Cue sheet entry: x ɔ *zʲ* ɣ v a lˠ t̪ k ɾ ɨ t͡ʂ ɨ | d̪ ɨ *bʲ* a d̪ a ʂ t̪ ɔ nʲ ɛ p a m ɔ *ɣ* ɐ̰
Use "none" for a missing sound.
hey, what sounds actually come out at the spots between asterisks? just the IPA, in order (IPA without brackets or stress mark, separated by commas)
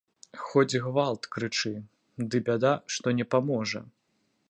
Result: d͡zʲ, bʲ, ʐ